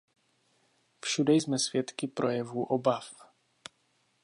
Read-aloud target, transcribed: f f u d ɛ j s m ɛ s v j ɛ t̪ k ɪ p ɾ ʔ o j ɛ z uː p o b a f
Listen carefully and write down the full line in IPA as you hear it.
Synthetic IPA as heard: f ʃ u d ɛ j z m ɛ s v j ɛ t̪ k ɪ p ɾ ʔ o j ɛ v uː ʔ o b a f